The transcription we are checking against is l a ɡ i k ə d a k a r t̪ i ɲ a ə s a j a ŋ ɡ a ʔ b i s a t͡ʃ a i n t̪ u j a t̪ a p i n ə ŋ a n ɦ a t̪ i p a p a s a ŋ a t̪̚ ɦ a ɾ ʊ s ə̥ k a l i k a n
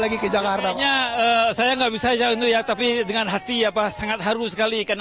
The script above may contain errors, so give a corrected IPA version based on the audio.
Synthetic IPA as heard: l a ɡ i k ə d͡ʒ a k a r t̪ a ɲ a ə s a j a ŋ ɡ a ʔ b i s a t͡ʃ a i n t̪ u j a t̪ a p i d ə ŋ a n ɦ a t̪ i a p a s a ŋ a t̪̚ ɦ a ɾ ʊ s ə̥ k a l i k a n